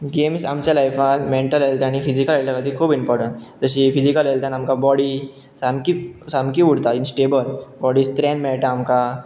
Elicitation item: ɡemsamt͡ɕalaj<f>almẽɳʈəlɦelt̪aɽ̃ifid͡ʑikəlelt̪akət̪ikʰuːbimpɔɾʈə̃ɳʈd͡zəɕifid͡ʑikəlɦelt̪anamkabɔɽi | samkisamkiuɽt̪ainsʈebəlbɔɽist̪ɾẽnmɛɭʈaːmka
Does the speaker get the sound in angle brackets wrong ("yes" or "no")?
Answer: no